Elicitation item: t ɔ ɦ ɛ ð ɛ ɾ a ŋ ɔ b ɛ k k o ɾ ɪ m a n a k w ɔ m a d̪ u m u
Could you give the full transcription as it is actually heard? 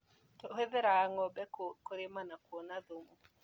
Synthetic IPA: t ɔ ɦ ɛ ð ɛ ɾ a ŋ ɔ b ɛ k k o ɾ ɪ m a n a k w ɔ n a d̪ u m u